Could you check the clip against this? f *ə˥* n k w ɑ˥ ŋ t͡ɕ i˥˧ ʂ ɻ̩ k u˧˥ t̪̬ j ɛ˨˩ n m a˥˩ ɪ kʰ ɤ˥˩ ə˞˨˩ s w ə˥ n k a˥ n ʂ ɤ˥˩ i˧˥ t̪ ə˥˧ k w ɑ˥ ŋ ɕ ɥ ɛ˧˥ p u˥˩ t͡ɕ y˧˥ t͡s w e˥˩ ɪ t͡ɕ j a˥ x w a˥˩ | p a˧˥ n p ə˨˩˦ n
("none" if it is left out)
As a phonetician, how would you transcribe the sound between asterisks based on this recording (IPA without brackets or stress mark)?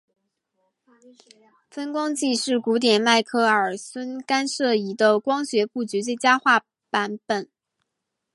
ə˥